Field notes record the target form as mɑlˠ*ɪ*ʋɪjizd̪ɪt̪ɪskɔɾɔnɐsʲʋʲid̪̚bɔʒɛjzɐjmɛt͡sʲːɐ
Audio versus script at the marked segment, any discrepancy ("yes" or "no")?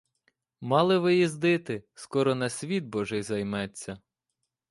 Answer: no